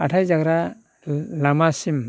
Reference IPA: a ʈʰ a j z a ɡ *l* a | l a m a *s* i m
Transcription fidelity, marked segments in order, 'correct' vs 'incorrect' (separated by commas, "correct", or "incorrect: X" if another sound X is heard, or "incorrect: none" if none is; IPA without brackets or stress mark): incorrect: ɾ, correct